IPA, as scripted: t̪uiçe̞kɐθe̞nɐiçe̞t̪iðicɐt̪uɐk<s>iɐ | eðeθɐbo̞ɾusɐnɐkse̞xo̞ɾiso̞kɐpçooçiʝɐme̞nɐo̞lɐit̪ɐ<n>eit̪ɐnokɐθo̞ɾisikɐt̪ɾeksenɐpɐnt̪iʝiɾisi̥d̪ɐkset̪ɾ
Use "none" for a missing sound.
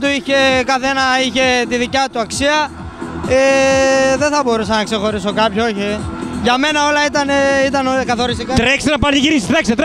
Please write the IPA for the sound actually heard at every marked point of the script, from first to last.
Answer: s, n

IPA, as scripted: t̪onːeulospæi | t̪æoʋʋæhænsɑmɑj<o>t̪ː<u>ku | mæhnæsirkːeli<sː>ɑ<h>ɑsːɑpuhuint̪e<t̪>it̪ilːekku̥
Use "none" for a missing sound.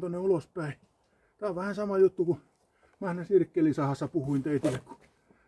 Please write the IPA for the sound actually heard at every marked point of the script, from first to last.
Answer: u, u, s, h, none

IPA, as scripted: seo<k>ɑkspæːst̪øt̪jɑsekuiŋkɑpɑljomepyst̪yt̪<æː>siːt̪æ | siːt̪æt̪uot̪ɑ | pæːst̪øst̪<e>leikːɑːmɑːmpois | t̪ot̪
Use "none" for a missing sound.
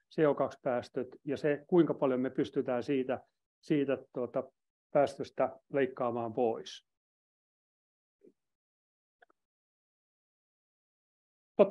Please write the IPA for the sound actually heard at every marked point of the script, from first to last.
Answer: k, æː, æ

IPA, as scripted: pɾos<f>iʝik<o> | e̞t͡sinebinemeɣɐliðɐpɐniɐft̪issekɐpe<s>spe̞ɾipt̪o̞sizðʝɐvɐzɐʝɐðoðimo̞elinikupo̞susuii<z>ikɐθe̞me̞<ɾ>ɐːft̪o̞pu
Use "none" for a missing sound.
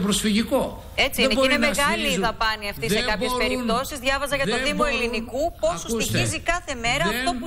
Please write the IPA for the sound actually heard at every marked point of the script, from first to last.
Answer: f, o, s, z, ɾ

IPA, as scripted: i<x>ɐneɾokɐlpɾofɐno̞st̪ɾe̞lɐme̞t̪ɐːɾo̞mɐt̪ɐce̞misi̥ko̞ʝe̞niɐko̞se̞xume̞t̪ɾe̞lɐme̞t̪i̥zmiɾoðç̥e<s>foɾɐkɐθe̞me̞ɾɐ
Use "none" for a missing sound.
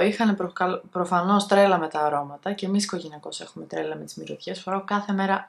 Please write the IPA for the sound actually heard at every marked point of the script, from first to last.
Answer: x, s

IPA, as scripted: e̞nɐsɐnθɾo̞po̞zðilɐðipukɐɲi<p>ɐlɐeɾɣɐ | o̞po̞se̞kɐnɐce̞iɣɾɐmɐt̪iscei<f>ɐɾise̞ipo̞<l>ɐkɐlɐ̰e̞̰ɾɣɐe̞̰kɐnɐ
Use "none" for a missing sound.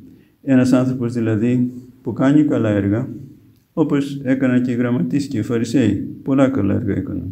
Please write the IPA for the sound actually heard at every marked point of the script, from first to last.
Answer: k, f, l

